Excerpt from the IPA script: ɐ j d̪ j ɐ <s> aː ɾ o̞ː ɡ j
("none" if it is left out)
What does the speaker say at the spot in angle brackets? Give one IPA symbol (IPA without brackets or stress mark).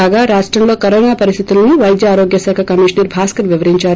none